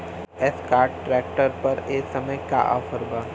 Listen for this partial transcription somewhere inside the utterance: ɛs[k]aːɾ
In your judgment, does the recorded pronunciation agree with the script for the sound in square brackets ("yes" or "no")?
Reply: yes